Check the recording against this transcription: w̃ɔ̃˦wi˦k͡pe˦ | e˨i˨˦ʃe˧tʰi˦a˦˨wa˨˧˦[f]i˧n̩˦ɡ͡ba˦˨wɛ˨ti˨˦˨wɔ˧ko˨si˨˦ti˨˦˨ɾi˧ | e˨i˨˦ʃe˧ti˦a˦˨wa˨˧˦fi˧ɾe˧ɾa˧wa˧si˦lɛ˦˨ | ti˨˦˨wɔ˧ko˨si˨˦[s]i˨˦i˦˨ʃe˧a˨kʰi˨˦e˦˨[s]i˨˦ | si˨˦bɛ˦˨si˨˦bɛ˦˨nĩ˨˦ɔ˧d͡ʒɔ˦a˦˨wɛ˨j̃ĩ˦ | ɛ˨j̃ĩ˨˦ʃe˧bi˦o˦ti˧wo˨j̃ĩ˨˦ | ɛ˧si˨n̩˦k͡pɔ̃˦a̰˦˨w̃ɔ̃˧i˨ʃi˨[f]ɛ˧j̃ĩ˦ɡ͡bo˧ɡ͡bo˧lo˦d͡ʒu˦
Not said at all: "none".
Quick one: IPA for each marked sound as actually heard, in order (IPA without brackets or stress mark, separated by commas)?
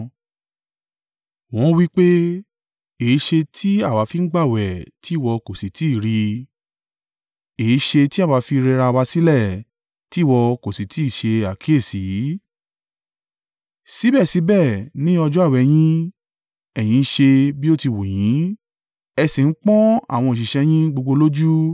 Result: f, t, s, ʃ